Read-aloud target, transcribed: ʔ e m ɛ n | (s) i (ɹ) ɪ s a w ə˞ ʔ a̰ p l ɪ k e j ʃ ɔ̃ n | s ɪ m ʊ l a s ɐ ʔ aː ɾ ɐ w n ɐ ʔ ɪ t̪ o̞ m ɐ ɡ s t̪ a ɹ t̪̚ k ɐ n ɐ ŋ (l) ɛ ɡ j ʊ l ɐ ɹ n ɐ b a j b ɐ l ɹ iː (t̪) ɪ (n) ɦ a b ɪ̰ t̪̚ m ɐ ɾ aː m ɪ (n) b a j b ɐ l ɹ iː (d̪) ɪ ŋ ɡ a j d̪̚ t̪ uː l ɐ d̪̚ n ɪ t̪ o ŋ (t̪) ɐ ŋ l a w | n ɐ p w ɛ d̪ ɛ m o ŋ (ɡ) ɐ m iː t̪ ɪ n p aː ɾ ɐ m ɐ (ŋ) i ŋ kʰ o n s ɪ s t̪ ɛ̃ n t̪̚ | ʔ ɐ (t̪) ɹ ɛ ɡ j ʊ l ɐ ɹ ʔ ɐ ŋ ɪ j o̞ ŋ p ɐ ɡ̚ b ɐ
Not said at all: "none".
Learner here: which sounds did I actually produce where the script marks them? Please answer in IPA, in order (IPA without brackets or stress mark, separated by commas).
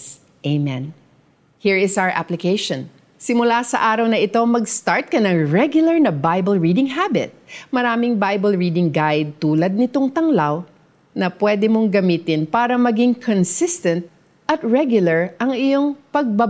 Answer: h, ɹ, ɹ, d̪, ŋ, ŋ, d̪, t̪, ɡ, ɡ, t̪